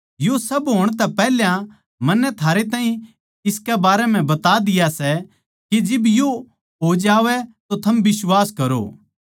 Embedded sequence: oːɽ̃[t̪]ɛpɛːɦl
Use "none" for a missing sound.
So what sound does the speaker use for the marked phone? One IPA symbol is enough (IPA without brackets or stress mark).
t̪